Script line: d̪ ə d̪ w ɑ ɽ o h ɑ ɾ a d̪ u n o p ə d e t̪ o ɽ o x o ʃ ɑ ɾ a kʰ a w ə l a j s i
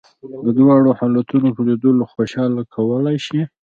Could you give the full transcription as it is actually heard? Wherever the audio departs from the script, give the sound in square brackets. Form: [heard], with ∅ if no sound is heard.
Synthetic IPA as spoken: d̪ ə d̪ w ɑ ɽ o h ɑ [l] a [t̪] u n o p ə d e [d̪] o [l] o x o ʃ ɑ [l] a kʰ a w ə l a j [ʃ] i